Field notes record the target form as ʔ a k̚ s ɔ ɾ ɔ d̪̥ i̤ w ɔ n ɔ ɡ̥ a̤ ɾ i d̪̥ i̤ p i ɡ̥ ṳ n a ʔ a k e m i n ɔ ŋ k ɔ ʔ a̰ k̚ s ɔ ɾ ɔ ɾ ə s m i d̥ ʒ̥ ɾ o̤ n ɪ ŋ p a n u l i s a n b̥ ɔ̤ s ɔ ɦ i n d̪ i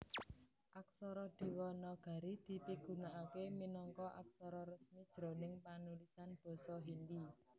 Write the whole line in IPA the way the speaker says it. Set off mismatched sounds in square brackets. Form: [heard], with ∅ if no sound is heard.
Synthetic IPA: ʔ a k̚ s ɔ ɾ ɔ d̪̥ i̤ w ɔ n ɔ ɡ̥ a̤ ɾ i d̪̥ i̤ p i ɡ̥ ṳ n a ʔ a k e m i n ɔ ŋ k ɔ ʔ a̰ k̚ s ɔ ɾ ɔ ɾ ə s m i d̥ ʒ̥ ɾ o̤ n ɪ ŋ p a n u l i s a n b̥ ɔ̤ s ɔ ɦ i n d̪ i

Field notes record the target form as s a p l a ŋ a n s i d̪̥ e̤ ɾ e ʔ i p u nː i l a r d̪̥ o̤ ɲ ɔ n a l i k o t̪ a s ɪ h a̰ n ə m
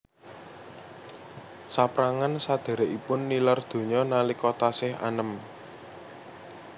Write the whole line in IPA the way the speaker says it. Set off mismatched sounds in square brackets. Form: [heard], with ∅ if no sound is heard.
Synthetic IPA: s a p [ɾ] a ŋ a n s [a] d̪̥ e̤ ɾ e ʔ i p [ʊ] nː i l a r d̪̥ o̤ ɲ ɔ n a l i k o t̪ a s ɪ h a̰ n ə m

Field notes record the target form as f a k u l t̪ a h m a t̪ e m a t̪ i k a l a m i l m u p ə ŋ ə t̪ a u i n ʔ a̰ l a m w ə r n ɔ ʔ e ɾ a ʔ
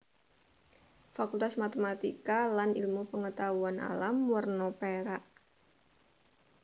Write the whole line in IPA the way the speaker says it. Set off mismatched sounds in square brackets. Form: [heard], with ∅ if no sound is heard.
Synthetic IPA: f a k u l t̪ a [s] m a t̪ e m a t̪ i k a l a [n] i l m u p ə ŋ ə t̪ a u [a] n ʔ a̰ l a m w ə r n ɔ [p] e ɾ a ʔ

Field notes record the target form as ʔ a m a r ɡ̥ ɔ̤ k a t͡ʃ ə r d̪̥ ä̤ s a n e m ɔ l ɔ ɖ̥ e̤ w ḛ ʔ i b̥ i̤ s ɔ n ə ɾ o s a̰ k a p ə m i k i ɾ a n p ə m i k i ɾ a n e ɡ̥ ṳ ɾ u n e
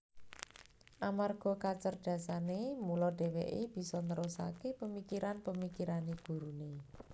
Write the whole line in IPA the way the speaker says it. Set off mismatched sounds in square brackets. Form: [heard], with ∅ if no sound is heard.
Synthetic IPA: ʔ a m a r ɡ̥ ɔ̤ k a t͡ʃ ə r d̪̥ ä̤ s a n e m [u] l ɔ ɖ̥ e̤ w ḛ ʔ [e] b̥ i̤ s ɔ n ə ɾ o s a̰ k [e] p ə m i k i ɾ a n p ə m i k i ɾ a n e ɡ̥ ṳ ɾ u n e

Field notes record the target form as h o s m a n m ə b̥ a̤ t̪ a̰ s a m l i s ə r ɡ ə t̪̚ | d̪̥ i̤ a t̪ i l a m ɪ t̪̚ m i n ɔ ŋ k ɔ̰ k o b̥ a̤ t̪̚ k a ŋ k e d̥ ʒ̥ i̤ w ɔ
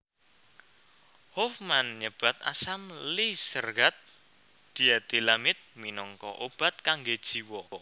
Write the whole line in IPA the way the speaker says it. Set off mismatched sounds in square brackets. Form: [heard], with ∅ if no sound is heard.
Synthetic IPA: h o [f] m a n [ɲ] ə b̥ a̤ t̪ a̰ s a m l i s ə r ɡ [a] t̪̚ | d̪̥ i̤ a t̪ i l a m ɪ t̪̚ m i n ɔ ŋ k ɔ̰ [ʔ] o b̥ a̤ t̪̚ k a ŋ [ɡ] e d̥ ʒ̥ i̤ w ɔ

